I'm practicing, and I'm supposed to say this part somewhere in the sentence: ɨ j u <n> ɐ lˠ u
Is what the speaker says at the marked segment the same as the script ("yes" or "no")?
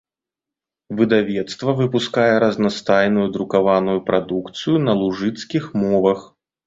yes